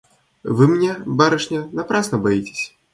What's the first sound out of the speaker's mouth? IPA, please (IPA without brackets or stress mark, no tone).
v